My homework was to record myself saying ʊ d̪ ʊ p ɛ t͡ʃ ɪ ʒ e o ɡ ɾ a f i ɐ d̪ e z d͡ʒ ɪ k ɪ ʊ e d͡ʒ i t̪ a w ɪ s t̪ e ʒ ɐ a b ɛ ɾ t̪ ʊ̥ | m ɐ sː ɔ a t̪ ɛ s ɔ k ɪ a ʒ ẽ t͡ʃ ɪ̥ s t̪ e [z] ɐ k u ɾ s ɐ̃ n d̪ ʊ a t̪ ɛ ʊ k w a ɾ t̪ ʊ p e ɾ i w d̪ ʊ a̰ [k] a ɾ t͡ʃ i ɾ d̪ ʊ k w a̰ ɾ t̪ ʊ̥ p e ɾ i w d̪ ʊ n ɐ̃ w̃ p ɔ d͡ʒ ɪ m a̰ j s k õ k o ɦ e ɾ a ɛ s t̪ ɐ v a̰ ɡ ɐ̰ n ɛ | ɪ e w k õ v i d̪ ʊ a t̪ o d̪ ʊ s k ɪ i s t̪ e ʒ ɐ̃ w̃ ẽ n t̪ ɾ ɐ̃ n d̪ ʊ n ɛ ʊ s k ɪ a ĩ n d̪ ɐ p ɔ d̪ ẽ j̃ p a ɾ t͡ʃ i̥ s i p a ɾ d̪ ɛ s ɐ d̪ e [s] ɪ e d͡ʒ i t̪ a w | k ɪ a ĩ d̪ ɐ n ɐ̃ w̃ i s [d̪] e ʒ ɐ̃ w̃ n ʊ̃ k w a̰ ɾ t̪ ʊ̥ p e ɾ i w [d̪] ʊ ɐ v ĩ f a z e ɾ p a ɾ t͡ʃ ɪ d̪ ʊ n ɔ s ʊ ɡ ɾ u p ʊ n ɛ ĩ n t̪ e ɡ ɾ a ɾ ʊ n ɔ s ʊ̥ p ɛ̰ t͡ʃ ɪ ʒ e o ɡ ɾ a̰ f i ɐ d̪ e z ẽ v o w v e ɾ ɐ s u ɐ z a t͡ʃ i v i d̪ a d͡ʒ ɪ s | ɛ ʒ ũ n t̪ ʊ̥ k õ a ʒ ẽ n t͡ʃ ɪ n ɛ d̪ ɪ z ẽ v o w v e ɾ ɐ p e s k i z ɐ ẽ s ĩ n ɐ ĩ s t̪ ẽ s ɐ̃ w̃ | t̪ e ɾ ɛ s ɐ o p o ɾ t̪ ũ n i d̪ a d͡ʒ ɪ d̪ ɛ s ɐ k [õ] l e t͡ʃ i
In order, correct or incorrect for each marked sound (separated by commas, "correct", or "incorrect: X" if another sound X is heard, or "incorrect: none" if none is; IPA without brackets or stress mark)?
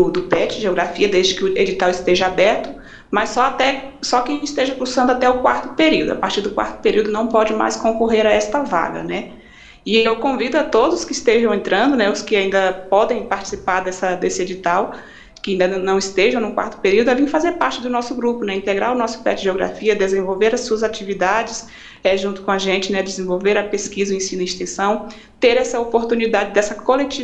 incorrect: ʒ, incorrect: p, correct, incorrect: t̪, correct, incorrect: o